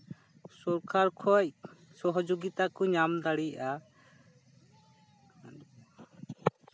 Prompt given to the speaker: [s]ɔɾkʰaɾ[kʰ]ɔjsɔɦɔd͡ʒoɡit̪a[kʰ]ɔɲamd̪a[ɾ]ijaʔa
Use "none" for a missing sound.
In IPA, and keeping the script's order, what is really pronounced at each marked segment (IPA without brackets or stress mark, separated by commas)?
s, kʰ, k, ɽ